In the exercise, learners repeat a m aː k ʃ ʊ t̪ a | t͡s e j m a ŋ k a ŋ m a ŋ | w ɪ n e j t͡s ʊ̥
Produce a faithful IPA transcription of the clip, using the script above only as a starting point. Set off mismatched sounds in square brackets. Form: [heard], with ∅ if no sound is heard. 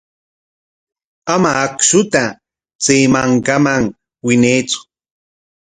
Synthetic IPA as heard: a m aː k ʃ ʊ t̪ a | t͡s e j m a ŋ k a [∅] m a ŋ | w ɪ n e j t͡s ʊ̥